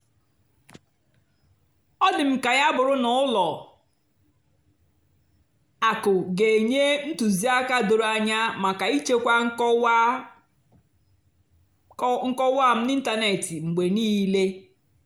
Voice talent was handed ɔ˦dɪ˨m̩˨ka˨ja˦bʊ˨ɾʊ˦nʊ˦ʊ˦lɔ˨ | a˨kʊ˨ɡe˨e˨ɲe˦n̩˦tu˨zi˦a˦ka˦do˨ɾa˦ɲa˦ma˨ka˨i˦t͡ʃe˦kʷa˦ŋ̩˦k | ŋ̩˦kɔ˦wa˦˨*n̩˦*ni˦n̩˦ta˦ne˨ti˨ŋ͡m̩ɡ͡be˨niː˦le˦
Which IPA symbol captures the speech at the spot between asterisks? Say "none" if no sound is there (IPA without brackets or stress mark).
m̩˦